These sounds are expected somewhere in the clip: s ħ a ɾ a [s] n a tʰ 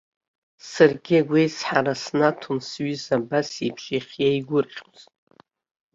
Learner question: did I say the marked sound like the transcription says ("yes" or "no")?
yes